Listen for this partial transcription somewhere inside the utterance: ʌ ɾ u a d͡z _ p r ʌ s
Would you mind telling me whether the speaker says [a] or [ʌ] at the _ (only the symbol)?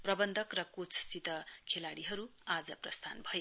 ʌ